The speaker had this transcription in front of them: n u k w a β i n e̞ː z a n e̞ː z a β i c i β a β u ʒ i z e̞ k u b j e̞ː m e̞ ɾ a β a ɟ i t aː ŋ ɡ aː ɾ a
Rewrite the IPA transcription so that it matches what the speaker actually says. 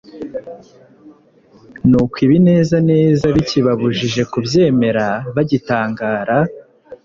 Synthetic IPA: n u k w i β i n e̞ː z a n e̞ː z a β i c i β a β u ʒ i ʒ e̞ k u b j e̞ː m e̞ ɾ a β a ɟ i t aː ŋ ɡ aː ɾ a